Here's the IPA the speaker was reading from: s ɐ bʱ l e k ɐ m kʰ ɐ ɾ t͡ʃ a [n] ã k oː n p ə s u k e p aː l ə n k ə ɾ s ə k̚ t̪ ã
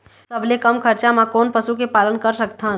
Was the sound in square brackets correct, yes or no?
no